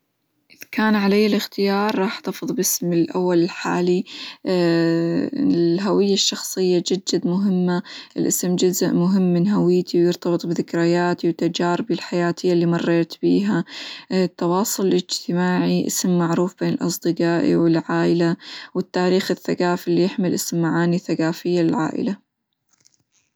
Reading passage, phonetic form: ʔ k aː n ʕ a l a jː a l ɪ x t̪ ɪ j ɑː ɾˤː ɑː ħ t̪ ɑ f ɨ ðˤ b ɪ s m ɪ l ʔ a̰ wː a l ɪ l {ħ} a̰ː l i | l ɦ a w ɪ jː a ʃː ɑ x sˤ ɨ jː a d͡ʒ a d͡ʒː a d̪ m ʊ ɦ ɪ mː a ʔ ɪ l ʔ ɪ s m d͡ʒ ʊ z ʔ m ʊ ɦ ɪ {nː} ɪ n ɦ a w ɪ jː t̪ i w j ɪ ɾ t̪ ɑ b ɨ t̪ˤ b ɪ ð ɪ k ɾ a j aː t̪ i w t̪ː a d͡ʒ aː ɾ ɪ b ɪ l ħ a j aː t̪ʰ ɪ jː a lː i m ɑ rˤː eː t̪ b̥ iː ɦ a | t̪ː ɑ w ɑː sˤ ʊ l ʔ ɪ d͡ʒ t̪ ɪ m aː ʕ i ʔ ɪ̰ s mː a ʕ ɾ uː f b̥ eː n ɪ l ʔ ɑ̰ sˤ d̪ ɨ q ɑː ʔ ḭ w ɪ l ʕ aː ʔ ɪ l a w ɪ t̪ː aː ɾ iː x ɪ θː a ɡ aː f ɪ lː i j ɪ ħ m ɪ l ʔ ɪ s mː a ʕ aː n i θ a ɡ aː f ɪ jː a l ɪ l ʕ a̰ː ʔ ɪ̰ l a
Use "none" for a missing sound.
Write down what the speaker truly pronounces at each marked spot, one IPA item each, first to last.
ħ, mː

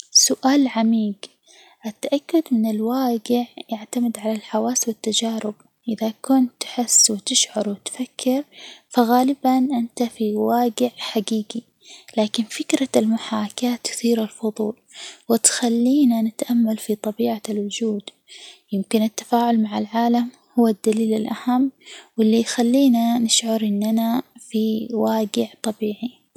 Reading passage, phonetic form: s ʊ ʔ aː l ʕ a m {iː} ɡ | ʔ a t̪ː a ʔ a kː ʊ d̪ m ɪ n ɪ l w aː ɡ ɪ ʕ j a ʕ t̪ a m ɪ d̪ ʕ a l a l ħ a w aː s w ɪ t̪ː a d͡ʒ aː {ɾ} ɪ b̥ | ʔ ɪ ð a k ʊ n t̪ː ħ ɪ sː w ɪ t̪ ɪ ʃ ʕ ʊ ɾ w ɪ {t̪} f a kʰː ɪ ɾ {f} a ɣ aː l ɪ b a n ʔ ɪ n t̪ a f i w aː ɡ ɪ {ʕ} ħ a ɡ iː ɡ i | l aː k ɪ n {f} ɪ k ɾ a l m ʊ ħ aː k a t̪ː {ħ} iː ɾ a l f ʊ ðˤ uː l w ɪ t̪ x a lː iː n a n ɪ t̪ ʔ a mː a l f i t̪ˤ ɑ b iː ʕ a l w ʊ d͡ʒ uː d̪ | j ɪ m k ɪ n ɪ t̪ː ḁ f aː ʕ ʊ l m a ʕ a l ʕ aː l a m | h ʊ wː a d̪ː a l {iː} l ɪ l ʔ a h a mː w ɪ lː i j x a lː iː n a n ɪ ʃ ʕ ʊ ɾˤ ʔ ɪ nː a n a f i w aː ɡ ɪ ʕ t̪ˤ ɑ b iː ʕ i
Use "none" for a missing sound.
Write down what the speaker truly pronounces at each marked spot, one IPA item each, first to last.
iː, ɾ, t̪, f, ʕ, f, θ, iː

